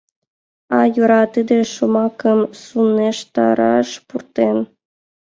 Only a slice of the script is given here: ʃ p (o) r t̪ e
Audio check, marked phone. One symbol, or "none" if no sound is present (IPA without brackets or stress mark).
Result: u